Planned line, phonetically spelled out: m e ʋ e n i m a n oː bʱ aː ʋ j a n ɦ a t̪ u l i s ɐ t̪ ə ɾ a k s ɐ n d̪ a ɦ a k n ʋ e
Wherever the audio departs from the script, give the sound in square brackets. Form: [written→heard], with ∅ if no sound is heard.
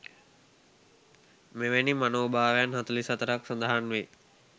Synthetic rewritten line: m e ʋ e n i m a n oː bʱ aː ʋ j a n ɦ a t̪ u l i s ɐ t̪ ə ɾ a k s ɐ n d̪ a ɦ a [k→∅] n ʋ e